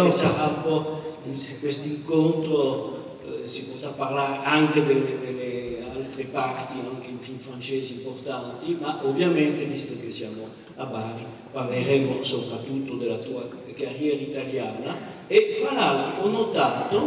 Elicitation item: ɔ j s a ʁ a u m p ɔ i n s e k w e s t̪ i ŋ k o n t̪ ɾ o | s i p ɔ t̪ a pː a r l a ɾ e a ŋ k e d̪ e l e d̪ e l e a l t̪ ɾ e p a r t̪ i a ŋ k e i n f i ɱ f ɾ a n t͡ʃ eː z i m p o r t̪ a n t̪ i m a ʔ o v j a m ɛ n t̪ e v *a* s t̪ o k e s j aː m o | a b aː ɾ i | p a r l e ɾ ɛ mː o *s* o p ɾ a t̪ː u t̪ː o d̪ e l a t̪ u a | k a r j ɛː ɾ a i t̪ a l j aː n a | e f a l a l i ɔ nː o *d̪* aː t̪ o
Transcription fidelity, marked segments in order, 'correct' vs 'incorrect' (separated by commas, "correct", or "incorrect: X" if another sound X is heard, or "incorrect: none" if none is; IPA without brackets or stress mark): incorrect: i, correct, incorrect: t̪